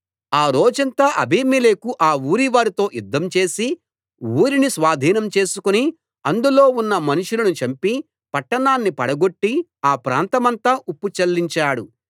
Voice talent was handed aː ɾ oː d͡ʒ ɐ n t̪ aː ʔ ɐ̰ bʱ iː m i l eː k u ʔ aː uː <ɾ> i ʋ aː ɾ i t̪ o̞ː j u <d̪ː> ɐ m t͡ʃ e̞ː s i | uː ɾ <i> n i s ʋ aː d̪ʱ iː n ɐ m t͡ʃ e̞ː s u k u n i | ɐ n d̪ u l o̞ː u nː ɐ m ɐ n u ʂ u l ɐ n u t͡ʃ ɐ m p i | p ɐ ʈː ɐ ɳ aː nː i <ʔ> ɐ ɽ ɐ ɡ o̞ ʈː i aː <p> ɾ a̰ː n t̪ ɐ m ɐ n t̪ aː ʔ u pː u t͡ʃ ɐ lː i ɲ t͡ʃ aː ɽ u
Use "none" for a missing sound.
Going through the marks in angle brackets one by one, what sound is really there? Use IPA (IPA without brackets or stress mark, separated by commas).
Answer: ɾ, d̪ː, i, p, p